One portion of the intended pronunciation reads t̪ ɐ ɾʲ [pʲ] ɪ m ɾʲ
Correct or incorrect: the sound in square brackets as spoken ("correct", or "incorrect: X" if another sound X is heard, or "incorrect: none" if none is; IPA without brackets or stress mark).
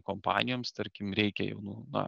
incorrect: kʲ